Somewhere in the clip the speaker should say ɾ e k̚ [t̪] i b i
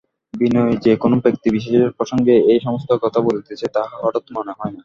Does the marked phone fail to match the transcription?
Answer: no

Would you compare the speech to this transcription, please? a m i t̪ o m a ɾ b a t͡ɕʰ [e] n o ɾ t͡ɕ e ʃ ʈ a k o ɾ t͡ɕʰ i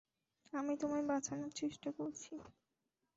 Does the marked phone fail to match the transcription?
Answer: yes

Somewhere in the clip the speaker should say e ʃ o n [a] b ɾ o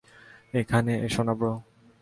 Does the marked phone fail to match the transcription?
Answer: no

